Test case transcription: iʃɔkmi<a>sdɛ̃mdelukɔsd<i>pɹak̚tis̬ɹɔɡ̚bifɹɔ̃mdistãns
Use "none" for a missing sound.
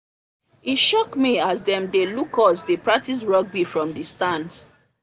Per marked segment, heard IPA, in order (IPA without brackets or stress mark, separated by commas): a, e